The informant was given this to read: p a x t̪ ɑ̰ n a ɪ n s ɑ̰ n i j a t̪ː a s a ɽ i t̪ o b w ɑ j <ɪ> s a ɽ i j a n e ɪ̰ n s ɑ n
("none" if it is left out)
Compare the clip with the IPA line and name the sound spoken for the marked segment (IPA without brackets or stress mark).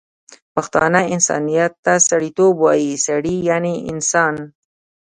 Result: i